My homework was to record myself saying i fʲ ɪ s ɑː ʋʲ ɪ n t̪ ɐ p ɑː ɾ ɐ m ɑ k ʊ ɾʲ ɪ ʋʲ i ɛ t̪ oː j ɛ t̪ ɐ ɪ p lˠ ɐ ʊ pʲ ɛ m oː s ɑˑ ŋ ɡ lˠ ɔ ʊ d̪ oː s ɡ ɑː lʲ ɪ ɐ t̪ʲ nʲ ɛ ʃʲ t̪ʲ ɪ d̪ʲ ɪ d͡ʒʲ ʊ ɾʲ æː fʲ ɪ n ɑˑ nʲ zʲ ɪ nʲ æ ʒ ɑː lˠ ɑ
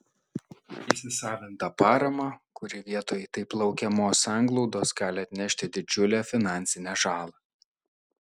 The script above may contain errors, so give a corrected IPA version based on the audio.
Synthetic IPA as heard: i sʲ ɪ s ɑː ʋʲ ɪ n t̪ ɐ p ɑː ɾ ɐ m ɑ k ʊ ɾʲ ɪ ʋʲ i ɛ t̪ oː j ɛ t̪ ɐ ɪ p lˠ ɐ ʊ kʲ ɛ m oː s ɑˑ ŋ ɡ lˠ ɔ ʊ d̪ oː s ɡ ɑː lʲ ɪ ɐ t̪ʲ nʲ ɛ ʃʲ t̪ʲ ɪ d̪ʲ ɪ d͡ʒʲ ʊ lʲ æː fʲ ɪ n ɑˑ nʲ sʲ ɪ nʲ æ ʒ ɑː lˠ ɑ